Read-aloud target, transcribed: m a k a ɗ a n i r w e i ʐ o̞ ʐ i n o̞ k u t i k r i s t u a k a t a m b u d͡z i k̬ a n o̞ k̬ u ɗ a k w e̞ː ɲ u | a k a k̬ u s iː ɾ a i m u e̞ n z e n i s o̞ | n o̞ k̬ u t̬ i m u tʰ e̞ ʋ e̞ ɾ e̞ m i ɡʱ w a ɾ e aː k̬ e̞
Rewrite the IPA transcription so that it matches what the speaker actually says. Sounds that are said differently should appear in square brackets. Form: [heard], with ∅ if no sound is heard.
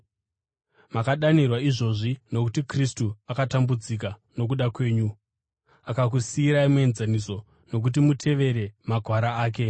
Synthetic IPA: m a k a ɗ a n i r w [a] i ʐ o̞ ʐ i n o̞ k u t i k r i s t u a k a t a m b u d͡z i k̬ a n o̞ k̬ u ɗ a k w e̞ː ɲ u | a k a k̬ u s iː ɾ a i m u e̞ n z [a] n i s o̞ | n o̞ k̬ u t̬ i m u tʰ e̞ ʋ e̞ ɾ e̞ m [a] ɡʱ w a ɾ [a] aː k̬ e̞